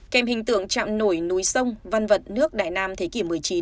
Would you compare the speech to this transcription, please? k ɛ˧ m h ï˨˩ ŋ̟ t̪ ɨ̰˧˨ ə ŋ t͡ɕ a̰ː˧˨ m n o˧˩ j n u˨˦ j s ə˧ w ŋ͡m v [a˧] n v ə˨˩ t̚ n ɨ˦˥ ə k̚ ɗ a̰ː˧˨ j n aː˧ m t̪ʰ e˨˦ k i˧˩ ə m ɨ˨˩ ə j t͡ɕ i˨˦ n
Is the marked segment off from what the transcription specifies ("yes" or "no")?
no